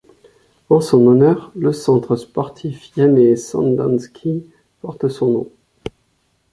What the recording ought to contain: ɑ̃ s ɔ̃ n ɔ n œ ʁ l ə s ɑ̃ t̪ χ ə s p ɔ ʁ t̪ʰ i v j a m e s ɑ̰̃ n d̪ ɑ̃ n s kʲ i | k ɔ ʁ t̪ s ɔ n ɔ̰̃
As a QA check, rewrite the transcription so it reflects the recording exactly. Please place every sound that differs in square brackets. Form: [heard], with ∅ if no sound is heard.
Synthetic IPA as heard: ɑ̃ s ɔ̃ n ɔ n œ ʁ l ə s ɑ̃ t̪ χ ə s p ɔ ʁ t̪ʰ i [f] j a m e s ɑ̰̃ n d̪ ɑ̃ n s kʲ i | [p] ɔ ʁ t̪ s [ɔ̃] n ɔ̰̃